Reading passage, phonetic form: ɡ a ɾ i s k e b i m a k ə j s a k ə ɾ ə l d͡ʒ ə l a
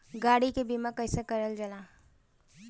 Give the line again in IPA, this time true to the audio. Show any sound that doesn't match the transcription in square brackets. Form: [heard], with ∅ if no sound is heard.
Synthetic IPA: ɡ a [ɽ] i [∅] k e b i m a k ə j s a k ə ɾ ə l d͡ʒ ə l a